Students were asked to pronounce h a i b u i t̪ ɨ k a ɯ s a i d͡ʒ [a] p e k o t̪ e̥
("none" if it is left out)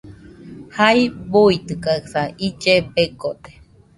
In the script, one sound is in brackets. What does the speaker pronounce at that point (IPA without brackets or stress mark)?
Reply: e